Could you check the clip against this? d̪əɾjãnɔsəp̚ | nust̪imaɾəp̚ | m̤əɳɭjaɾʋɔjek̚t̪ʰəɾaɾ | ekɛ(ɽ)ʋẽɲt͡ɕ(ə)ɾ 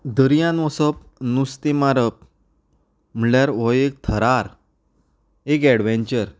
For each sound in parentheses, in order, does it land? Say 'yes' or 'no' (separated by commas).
yes, yes